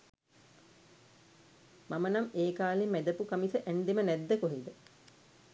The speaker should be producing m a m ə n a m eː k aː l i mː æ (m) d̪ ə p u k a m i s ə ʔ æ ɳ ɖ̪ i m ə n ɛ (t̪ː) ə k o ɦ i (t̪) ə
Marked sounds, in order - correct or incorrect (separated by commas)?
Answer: incorrect, incorrect, incorrect